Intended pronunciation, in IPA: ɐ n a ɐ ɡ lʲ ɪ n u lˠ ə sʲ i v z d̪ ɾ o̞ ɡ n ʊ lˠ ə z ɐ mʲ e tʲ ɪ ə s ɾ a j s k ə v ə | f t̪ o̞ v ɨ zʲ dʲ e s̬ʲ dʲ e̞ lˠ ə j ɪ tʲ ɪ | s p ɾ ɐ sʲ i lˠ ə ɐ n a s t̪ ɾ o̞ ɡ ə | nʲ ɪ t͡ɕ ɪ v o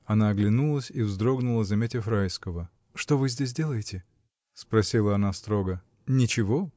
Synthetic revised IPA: ɐ n a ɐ ɡ lʲ ɪ n u lˠ ə sʲ i v z d̪ ɾ o̞ ɡ n ʊ lˠ ə z ɐ mʲ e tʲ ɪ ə f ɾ a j s k ə v ə | ʂ t̪ o̞ v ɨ zʲ dʲ e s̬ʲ dʲ e̞ lˠ ə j ɪ tʲ ɪ | s p ɾ ɐ sʲ i lˠ ə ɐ n a s t̪ ɾ o̞ ɡ ə | nʲ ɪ t͡ɕ ɪ v o

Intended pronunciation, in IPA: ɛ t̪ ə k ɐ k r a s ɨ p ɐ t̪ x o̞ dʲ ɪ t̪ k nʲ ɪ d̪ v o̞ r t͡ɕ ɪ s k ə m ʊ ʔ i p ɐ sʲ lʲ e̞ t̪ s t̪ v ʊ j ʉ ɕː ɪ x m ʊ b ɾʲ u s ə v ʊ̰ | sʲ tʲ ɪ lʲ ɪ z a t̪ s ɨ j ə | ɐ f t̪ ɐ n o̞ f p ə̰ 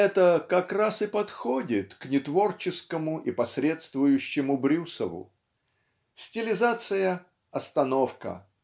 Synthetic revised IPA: ɛ t̪ ə k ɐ k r a s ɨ p ɐ t̪ x o̞ dʲ ɪ t̪ k nʲ ɪ t̪ v o̞ r t͡ɕ ɪ s k ə m ʊ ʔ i p ɐ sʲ ɾʲ e̞ t̪ s t̪ v ʊ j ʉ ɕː ɪ m ʊ b ɾʲ u s ə v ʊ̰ | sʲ tʲ ɪ lʲ ɪ z a t̪ s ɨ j ə | ɐ s t̪ ɐ n o̞ f k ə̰

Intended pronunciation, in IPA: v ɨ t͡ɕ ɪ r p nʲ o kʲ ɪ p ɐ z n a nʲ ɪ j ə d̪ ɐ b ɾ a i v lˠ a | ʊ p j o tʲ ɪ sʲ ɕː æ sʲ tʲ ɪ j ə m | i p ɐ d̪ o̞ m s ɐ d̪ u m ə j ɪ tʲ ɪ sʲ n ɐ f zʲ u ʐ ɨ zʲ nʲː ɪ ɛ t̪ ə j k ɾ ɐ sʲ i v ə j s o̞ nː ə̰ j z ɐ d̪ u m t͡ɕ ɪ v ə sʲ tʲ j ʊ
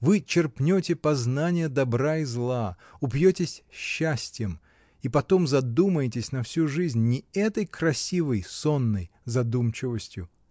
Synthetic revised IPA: v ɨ t͡ɕ ɪ r p nʲ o tʲ ɪ p ɐ z n a nʲ ɪ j ə d̪ ɐ b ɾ a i z lˠ a | ʊ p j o tʲ ɪ sʲ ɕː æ sʲ tʲ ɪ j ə m | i p ɐ t̪ o̞ m z ɐ d̪ u m ə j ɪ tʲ ɪ sʲ n ɐ f sʲ u ʐ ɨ zʲ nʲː ɪ ɛ t̪ ə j k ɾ ɐ sʲ i v ə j s o̞ nː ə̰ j z ɐ d̪ u m t͡ɕ ɪ v ə sʲ tʲ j ʊ

